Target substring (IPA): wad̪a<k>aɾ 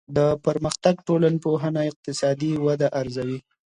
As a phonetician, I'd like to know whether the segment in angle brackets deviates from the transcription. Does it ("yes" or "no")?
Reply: yes